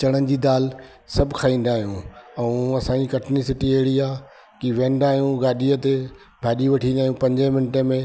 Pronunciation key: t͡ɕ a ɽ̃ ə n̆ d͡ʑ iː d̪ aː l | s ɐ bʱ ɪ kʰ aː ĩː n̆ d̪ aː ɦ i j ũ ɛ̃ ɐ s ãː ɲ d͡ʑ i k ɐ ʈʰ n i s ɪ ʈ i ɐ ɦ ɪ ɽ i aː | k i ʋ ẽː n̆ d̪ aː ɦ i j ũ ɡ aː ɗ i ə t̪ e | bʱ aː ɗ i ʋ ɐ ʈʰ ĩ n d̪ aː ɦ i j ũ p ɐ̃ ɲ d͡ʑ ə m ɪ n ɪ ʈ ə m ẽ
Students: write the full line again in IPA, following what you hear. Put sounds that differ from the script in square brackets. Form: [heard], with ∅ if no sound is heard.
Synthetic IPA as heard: t͡ɕ [ɐ] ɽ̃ ə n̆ d͡ʑ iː d̪ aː l | s ɐ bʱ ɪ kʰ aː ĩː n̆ d̪ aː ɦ i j ũ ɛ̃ ɐ s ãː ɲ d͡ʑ i k ɐ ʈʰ n i s ɪ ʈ i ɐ ɦ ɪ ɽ i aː | k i ʋ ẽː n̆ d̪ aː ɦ i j ũ ɡ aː ɗ i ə t̪ e | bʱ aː ɗ i ʋ ɐ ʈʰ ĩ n d̪ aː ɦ i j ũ p ɐ̃ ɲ d͡ʑ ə m ɪ n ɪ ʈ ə m ẽ